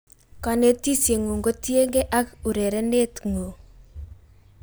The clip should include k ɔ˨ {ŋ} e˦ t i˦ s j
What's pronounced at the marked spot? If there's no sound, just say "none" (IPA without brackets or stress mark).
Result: n